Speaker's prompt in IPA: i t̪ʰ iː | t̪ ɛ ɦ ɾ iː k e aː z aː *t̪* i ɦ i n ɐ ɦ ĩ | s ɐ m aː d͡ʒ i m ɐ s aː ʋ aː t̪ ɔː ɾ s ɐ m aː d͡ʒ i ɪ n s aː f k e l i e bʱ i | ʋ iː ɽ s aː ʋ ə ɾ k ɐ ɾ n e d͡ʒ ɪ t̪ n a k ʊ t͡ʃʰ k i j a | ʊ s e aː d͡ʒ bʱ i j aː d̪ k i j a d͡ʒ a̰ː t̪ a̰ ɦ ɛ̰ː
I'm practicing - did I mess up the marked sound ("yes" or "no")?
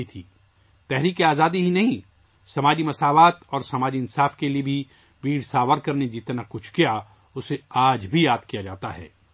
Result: yes